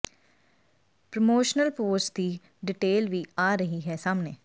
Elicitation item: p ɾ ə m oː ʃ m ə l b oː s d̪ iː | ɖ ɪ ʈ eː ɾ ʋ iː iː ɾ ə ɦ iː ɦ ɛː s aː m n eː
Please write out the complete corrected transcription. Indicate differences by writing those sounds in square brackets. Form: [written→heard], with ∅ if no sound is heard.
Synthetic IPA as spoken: p ɾ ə m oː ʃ [m→n] ə l [b→p] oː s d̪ iː | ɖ ɪ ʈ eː [ɾ→l] ʋ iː [iː→aː] ɾ ə ɦ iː ɦ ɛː s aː m n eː

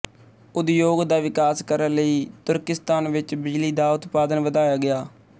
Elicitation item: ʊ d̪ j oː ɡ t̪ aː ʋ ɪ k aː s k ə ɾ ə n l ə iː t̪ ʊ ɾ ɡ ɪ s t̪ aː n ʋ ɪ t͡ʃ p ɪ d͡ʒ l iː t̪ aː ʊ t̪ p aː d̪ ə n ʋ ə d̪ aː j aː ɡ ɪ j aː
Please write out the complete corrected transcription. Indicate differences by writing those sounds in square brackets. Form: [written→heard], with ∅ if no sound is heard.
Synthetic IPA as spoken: ʊ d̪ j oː ɡ [t̪→d̪] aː ʋ ɪ k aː s k ə ɾ ə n l ə iː t̪ ʊ ɾ [ɡ→k] ɪ s t̪ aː n ʋ ɪ t͡ʃ [p→b] ɪ d͡ʒ l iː [t̪→d̪] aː ʊ t̪ p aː d̪ ə n ʋ ə d̪ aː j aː ɡ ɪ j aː

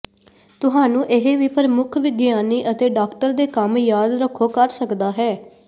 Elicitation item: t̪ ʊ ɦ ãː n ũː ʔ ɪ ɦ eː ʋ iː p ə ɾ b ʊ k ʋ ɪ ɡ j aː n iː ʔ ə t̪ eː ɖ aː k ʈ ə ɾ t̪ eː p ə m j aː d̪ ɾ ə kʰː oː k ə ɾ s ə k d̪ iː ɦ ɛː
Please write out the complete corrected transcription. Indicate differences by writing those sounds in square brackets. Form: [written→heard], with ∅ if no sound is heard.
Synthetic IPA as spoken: t̪ ʊ ɦ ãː n ũː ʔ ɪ ɦ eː ʋ iː p ə ɾ [b→m] ʊ [k→kʰ] ʋ ɪ ɡ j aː n iː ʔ ə t̪ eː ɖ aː k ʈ ə ɾ [t̪→d̪] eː [p→k] ə m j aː d̪ ɾ ə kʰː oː k ə ɾ s ə k d̪ [iː→aː] ɦ ɛː

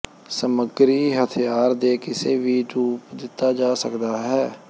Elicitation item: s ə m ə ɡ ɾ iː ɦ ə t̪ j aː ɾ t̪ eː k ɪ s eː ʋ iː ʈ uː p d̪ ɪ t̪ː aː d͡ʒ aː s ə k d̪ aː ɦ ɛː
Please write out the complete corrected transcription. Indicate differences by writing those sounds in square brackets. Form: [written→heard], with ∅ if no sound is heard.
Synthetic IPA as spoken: s ə m ə ɡ ɾ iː ɦ ə [t̪→t̪ʰ] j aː ɾ [t̪→d̪] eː k ɪ s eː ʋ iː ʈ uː p d̪ ɪ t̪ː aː d͡ʒ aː s ə k d̪ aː ɦ ɛː

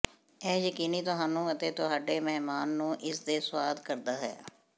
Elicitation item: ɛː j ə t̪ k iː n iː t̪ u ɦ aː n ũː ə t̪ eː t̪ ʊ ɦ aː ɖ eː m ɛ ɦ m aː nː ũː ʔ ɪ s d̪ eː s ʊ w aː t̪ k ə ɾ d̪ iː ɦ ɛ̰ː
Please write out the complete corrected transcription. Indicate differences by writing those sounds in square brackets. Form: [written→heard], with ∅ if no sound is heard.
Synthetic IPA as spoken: ɛː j ə [t̪→∅] k iː n iː t̪ [u→ʊ] ɦ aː n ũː ə t̪ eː t̪ ʊ ɦ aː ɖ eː m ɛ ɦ m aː nː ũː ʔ ɪ s d̪ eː s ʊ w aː [t̪→d̪] k ə ɾ d̪ [iː→aː] ɦ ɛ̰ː

